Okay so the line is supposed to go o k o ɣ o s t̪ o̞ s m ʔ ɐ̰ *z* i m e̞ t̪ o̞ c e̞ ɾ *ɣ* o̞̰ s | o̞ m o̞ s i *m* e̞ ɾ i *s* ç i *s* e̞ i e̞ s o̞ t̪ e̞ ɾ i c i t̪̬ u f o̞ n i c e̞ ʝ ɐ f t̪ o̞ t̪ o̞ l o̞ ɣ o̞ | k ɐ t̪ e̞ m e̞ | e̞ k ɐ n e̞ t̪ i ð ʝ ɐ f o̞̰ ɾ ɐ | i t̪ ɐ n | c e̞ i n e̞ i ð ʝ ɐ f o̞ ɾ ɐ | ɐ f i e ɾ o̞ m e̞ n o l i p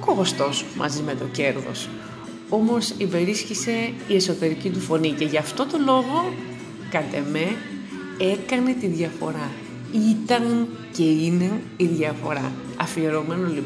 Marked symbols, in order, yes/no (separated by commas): yes, no, no, yes, yes